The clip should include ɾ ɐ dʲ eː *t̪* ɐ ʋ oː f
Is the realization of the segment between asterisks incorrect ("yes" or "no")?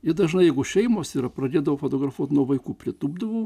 yes